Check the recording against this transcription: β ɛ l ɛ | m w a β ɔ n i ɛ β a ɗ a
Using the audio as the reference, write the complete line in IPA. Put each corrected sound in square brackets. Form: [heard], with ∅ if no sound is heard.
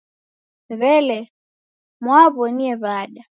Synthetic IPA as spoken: β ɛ l ɛ | m w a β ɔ n i ɛ β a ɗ a